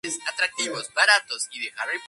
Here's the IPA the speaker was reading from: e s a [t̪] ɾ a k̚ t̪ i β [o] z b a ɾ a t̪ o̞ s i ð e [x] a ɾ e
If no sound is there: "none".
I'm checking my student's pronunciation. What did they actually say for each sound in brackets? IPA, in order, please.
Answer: t̪, o, x

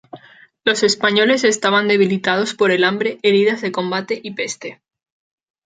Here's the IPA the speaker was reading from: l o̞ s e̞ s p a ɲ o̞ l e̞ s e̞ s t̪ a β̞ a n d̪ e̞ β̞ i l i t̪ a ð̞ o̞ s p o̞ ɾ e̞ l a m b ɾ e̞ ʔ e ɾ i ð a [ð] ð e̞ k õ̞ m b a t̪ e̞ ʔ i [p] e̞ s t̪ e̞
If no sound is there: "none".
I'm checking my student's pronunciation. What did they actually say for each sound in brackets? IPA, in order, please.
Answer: z, p

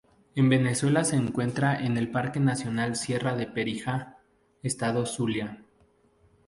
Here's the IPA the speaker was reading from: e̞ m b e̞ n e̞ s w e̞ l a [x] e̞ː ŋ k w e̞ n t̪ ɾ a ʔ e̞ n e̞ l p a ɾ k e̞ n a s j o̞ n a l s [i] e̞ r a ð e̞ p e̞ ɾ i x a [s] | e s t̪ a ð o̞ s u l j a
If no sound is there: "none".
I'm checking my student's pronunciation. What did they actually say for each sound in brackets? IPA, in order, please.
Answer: s, j, none

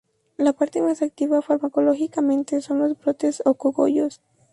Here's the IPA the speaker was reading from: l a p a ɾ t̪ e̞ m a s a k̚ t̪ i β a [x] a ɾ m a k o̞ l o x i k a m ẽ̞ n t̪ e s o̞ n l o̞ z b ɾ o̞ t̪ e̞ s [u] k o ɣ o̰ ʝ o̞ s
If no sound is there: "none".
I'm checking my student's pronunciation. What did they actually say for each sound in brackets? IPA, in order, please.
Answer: f, o

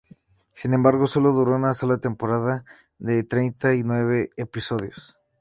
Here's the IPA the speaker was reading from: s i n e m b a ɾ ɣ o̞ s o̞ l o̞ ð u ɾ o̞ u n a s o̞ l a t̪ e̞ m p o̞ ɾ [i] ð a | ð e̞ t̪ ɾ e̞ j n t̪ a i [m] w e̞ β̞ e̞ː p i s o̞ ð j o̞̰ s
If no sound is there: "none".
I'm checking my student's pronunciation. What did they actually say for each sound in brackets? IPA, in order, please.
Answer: a, n

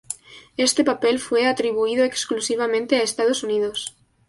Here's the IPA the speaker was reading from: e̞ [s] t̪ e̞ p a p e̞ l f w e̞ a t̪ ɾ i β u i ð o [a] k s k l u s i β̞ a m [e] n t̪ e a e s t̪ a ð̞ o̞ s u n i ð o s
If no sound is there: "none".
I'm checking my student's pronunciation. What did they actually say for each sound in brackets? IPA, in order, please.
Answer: s, e, ẽ

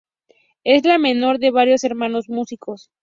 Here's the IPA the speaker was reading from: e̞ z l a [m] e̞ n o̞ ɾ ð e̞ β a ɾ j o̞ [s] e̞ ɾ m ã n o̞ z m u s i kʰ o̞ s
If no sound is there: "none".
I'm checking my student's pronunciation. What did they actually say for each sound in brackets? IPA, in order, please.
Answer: m, s

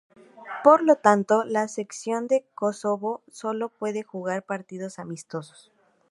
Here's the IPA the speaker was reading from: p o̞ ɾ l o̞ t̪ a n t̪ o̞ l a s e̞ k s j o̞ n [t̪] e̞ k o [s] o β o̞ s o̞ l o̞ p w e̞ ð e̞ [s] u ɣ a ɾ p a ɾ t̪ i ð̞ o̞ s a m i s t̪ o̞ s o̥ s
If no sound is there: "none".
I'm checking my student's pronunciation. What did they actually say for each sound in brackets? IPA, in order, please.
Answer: d̪, s, x

